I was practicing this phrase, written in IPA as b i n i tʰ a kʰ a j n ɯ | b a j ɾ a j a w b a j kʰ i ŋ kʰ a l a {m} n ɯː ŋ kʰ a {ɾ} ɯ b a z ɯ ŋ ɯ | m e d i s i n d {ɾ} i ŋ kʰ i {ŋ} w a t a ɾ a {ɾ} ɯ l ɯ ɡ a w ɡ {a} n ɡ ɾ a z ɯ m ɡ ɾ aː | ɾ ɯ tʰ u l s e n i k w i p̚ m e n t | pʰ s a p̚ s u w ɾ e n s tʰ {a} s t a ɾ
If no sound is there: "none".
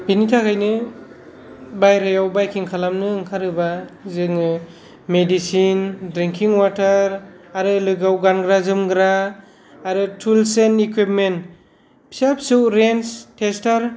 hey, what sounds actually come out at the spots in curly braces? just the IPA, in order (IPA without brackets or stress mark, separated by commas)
m, ɾ, ɾ, ŋ, ɾ, a, e